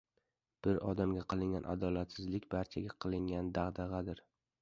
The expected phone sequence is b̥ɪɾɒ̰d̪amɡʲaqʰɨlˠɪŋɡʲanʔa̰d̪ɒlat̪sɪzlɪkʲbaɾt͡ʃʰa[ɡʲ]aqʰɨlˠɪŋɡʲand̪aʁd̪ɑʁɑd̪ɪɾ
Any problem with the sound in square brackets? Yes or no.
no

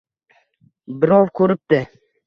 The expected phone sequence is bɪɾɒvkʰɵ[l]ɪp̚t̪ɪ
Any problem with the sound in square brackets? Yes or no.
yes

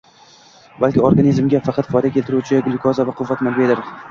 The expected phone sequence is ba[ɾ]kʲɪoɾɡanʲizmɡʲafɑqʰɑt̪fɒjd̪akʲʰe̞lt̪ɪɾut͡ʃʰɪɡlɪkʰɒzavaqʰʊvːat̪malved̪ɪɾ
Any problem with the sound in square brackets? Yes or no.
yes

